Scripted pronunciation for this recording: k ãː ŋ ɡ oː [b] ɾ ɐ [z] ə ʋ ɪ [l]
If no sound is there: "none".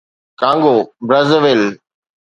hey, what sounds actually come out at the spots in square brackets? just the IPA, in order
b, z, l

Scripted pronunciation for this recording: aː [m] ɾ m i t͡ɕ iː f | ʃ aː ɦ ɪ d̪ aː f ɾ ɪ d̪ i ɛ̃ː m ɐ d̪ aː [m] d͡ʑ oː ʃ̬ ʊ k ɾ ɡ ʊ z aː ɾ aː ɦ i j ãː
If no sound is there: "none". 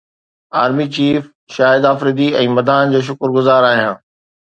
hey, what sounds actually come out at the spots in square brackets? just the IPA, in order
none, n

